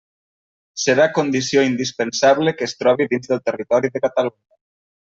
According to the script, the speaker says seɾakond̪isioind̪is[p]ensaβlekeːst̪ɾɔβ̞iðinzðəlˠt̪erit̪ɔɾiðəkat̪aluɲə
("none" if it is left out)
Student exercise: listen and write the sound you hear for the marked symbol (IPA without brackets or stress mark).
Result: p